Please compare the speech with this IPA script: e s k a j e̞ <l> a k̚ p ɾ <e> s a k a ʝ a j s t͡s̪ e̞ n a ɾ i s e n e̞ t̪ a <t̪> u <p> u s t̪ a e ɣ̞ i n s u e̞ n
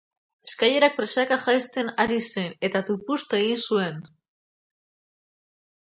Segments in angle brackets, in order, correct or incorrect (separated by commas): incorrect, correct, correct, correct